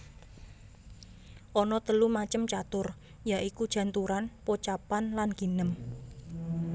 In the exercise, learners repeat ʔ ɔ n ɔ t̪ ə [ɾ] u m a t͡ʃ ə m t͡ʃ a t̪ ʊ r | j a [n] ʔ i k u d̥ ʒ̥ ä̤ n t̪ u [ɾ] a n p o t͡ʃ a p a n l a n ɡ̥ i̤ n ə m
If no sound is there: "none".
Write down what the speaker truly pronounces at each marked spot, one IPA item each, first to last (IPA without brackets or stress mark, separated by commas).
l, none, ɾ